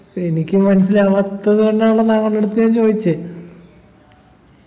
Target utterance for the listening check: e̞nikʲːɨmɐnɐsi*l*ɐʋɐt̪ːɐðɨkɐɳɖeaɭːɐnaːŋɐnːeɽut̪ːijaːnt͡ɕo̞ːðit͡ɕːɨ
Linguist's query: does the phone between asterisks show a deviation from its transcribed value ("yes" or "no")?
no